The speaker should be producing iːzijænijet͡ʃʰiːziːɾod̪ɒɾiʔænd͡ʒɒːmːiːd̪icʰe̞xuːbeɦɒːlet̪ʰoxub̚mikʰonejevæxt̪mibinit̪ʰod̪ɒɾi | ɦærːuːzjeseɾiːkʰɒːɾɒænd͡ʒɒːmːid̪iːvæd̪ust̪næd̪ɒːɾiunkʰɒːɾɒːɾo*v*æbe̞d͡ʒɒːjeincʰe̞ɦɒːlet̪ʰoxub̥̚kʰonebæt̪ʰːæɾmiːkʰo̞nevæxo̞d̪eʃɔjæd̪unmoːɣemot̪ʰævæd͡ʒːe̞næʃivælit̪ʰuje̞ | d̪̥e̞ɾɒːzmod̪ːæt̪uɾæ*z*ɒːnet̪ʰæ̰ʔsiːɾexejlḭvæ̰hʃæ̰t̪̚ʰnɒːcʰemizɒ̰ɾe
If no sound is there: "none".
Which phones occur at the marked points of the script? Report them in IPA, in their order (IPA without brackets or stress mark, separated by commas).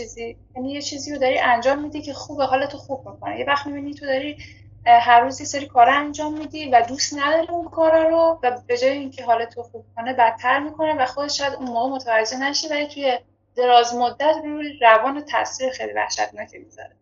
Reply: v, v